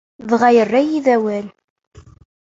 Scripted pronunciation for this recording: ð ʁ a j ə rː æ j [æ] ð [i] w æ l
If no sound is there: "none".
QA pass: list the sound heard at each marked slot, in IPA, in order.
i, æ

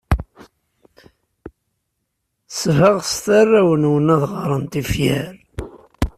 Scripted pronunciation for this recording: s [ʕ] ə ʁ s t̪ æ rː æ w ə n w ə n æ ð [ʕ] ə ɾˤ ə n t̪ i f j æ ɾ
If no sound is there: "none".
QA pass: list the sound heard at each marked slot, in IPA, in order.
v, ʁ

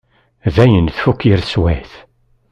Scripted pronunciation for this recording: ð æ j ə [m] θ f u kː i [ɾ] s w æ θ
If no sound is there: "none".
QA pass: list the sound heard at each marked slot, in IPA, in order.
n, ɾ

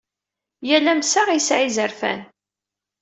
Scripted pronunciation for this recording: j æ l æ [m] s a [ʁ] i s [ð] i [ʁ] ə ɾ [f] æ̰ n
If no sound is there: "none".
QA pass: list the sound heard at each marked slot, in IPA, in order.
m, ʁ, ʕ, z, f

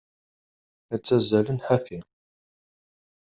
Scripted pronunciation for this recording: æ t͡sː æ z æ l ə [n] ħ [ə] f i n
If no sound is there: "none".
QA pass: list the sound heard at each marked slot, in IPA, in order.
n, a

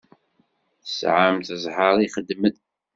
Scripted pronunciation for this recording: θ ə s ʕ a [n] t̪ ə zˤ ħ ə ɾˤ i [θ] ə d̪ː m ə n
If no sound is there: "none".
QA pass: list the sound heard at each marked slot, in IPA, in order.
m, χ

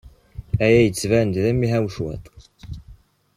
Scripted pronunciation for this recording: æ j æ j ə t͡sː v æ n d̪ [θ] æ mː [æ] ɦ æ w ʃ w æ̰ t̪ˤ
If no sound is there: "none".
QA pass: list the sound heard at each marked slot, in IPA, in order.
ð, i

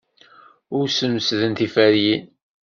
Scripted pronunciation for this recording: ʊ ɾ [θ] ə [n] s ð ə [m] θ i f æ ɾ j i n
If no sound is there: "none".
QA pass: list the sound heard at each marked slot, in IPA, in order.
s, m, n

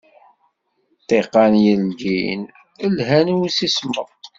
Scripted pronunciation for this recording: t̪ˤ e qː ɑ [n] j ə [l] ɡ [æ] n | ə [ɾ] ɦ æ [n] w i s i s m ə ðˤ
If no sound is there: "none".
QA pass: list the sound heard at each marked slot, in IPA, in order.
n, l, i, l, n

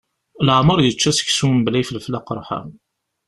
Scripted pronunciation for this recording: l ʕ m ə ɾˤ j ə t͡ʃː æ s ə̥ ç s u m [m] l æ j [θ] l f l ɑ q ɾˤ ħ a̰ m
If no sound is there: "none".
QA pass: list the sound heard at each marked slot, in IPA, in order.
b, f

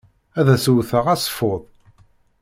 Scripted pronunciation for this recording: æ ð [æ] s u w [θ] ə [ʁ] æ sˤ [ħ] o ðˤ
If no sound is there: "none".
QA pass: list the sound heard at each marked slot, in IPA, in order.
æ, θ, ʁ, f

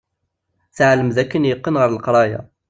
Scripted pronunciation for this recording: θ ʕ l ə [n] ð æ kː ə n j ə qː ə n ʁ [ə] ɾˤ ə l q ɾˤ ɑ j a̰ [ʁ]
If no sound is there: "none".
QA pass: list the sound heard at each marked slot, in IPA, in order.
m, ə, none

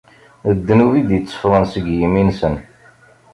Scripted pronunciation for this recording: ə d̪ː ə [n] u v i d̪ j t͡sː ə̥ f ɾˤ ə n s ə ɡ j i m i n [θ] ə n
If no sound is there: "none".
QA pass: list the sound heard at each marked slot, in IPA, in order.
n, s

